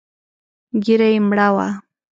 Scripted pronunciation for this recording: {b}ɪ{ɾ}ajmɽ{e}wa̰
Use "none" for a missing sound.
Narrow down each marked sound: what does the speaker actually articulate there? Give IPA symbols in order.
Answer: ɡ, ɾ, a

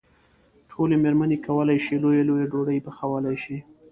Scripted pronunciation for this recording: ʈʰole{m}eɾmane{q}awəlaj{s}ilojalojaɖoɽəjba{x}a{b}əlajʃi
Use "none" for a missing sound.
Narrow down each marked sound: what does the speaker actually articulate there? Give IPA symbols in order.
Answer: m, k, ʃ, x, w

